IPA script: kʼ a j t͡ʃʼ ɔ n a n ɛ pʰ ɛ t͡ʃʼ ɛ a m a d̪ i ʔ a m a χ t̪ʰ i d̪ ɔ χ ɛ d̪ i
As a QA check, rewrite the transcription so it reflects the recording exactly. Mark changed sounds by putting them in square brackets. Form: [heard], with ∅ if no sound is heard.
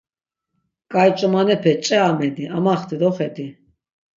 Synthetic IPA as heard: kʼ a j t͡ʃʼ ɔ [m] a n ɛ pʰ ɛ t͡ʃʼ ɛ a m [ɛ] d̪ i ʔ a m a χ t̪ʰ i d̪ ɔ χ ɛ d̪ i